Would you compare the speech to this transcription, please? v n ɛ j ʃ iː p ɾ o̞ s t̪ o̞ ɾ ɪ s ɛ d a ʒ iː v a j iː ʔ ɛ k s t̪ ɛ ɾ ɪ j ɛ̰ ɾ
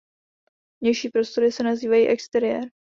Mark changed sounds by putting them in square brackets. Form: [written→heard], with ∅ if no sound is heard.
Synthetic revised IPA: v [n→ɲ] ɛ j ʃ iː p ɾ o̞ s t̪ o̞ ɾ ɪ s ɛ [d→n] a [ʒ→z] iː v a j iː ʔ ɛ k s t̪ ɛ ɾ ɪ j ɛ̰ ɾ